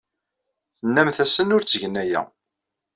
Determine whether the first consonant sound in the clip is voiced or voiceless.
voiceless